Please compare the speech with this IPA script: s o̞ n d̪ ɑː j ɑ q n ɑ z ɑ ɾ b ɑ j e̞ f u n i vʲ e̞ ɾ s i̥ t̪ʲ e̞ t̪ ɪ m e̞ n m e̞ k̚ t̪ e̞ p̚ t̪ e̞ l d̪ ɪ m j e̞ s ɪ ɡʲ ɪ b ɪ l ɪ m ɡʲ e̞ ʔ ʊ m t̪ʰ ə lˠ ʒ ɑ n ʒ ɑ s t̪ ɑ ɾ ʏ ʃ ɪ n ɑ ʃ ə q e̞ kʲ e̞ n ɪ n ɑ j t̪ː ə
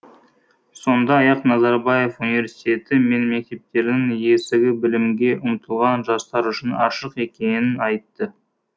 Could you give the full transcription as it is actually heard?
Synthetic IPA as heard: s o̞ n d̪ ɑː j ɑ q n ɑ z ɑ ɾ b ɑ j e̞ f u n i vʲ e̞ ɾ s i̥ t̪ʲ e̞ t̪ ɪ m e̞ n m e̞ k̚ t̪ e̞ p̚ t̪ e̞ ɾ d̪ ɪ ŋ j e̞ s ɪ ɡʲ ɪ b ɪ l ɪ m ɡʲ e̞ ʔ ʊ m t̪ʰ ə lˠ ʁ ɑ n ʒ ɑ s t̪ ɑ ɾ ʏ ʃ ɪ n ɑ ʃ ə q e̞ kʲ e̞ n ɪ n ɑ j t̪ː ə